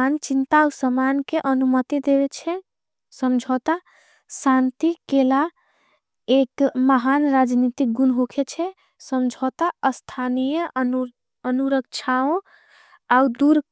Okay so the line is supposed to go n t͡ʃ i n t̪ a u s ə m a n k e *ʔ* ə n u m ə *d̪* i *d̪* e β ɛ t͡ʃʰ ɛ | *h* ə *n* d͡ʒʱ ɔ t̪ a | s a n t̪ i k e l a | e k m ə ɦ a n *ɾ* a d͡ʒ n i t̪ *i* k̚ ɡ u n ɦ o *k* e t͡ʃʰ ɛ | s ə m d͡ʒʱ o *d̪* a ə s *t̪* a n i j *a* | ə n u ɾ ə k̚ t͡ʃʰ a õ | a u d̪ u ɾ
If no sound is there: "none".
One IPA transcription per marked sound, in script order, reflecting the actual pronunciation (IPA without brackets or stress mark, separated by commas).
ʔ, t̪, d̪, s, m, ɾ, i, kʰ, t̪, t̪ʰ, ə